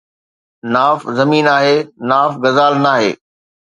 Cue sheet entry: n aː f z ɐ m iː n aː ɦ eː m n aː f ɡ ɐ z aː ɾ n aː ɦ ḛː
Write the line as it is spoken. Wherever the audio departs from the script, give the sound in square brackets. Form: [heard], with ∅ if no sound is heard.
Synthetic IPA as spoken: n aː f z ɐ m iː n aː ɦ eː [∅] n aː f ɡ ɐ z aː [l] n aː ɦ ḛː